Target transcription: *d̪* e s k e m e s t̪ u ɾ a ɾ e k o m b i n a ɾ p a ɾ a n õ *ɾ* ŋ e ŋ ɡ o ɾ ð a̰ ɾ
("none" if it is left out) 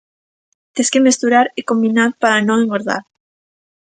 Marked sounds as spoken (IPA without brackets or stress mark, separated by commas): t̪, none